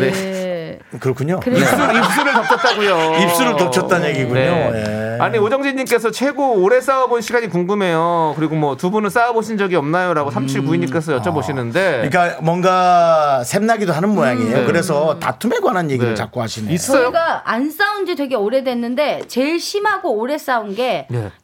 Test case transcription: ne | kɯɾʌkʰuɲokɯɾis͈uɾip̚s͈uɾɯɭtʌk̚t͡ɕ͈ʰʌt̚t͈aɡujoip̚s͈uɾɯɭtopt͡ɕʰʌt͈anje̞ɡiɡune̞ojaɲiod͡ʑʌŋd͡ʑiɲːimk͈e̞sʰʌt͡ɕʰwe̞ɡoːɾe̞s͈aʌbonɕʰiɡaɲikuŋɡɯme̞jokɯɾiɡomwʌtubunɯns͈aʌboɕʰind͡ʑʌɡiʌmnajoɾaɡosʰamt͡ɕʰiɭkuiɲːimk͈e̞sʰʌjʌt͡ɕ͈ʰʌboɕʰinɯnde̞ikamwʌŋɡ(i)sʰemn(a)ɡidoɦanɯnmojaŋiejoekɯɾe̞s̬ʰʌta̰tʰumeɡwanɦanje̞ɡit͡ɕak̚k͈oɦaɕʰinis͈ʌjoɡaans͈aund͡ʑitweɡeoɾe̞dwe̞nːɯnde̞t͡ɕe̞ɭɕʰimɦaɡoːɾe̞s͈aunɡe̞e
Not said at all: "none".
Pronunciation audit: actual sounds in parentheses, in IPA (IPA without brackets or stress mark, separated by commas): a, a